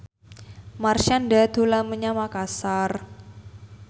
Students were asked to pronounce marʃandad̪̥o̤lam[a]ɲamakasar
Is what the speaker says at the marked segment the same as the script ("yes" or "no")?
no